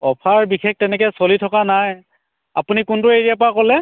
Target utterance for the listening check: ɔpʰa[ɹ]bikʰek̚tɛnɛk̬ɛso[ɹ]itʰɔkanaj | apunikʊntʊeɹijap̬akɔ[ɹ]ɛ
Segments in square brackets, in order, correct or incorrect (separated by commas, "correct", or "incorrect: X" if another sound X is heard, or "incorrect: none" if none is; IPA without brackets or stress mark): correct, incorrect: l, incorrect: l